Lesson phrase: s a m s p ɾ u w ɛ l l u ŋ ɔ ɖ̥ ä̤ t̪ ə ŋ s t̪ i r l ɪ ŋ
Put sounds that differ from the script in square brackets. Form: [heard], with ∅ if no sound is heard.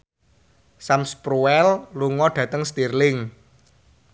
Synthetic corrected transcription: s a m s p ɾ u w ɛ l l u ŋ ɔ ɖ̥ ä̤ t̪ ə ŋ s t̪ i r l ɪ ŋ